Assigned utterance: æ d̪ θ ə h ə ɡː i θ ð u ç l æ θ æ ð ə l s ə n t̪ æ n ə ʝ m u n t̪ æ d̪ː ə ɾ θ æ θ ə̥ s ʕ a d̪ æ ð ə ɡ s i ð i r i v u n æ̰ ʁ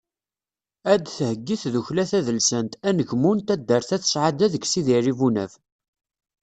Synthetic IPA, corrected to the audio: æ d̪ θ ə h ə ɡː i θ ð u ç l æ θ æ ð ə l s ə n t̪ æ n ə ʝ m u n t̪ æ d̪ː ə ɾ θ æ θ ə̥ s ʕ a d̪ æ ð ə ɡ s i ð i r i v u n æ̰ v